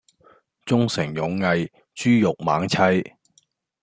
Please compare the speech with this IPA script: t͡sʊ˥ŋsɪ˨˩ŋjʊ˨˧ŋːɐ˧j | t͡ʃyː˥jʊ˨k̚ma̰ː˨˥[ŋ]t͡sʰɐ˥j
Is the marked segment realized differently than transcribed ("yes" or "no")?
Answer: no